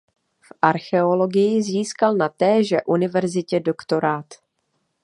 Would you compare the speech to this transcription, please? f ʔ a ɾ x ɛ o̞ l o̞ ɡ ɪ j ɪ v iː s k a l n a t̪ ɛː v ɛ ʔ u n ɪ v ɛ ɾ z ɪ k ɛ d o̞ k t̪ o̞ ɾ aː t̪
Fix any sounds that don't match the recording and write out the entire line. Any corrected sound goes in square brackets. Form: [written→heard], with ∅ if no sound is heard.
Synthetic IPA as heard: f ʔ a ɾ x ɛ o̞ l o̞ ɡ ɪ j ɪ [v→z] iː s k a l n a t̪ ɛː [v→ʒ] ɛ ʔ u n ɪ v ɛ ɾ z ɪ [k→c] ɛ d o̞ k t̪ o̞ ɾ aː t̪